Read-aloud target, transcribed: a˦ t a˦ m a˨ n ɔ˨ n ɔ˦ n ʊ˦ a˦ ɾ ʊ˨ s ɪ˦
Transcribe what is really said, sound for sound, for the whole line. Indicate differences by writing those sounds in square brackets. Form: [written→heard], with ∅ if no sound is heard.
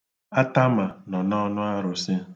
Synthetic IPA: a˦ t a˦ m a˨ n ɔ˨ n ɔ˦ n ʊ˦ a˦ ɾ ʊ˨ s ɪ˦